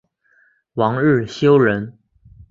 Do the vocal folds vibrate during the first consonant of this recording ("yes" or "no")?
yes